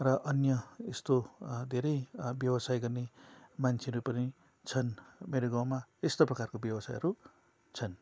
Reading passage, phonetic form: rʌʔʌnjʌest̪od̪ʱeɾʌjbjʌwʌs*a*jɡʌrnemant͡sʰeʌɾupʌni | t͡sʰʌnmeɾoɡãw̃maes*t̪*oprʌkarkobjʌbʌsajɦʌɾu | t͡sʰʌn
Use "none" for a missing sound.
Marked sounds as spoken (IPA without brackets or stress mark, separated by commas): a, t̪